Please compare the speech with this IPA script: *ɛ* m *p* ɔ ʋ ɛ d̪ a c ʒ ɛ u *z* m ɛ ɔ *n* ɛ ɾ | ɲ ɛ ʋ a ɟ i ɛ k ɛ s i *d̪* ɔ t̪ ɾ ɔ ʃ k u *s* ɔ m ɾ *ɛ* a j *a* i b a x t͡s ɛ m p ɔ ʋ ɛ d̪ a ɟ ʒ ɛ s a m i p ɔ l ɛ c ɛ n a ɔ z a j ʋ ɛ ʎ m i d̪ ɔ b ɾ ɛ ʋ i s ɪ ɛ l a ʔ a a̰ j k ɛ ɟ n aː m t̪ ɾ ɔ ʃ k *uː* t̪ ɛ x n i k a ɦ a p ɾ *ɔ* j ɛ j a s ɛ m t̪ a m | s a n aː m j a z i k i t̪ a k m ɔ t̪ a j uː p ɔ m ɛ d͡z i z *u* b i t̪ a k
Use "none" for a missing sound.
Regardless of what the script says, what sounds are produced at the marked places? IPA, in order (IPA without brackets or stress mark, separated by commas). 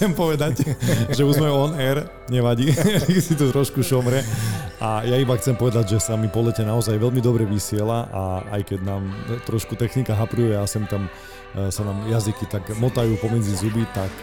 ɛ, p, z, n, t̪, ʃ, ɛ, a, u, u, u